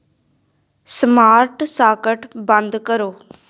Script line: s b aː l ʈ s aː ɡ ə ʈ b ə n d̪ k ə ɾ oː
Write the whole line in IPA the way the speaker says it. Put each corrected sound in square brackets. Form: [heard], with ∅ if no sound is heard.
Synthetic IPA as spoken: s [m] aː [ɾ] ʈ s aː [k] ə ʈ b ə n d̪ k ə ɾ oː